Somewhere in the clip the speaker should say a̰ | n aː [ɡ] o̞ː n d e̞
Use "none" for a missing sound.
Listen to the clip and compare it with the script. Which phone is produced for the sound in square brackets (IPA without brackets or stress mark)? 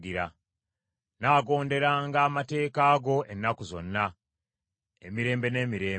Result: ɡ